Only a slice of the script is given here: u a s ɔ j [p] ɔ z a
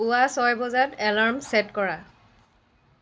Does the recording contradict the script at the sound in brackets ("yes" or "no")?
yes